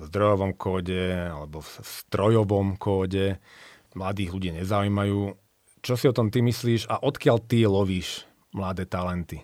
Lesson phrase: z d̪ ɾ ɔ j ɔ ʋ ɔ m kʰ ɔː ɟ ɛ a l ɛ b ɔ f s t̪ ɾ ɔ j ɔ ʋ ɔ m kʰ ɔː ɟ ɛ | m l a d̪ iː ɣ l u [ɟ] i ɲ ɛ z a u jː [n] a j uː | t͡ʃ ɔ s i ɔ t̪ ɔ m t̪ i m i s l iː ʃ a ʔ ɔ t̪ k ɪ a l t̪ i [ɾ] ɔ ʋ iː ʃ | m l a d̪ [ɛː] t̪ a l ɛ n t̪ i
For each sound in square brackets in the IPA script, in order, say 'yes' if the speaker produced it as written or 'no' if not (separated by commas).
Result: yes, no, no, yes